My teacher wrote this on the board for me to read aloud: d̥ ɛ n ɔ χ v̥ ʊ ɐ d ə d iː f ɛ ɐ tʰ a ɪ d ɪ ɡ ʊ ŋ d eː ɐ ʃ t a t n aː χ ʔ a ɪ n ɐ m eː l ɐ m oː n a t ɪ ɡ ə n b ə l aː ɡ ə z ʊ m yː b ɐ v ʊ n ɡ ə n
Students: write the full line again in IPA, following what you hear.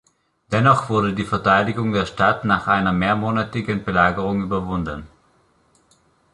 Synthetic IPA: d̥ ɛ n ɔ χ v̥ ʊ ɐ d ə d iː f ɛ ɐ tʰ a ɪ d ɪ ɡ ʊ ŋ d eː ɐ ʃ t a t n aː χ ʔ a ɪ n ɐ m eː ɐ m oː n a t ɪ ɡ ə n b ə l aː ɡ ə ʁ ʊ ŋ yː b ɐ v ʊ n d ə n